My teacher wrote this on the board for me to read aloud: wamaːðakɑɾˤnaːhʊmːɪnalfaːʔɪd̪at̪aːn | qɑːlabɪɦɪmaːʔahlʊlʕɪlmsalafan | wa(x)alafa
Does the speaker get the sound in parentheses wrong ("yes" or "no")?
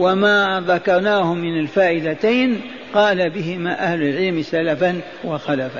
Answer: no